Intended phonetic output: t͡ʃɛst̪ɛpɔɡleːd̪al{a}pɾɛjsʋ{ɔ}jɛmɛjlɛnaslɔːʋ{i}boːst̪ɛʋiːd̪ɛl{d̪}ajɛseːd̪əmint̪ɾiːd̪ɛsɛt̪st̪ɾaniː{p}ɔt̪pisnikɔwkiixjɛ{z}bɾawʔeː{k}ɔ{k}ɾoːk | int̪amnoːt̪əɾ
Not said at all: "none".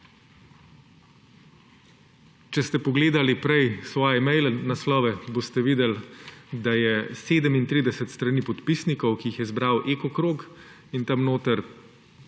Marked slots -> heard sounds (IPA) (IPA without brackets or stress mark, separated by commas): i, ɔː, ɛ, d̪, p, z, k, k